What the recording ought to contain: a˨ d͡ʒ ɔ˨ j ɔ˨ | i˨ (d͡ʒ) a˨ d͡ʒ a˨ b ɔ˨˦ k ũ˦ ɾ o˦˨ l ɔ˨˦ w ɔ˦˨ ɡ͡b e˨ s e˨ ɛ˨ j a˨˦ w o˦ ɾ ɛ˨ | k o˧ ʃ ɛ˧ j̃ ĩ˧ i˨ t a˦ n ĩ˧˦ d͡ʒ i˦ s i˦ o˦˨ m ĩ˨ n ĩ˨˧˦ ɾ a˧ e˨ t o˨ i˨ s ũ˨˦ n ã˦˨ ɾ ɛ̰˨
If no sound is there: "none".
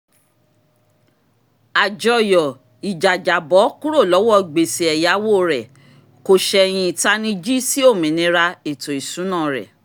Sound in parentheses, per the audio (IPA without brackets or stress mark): d͡ʒ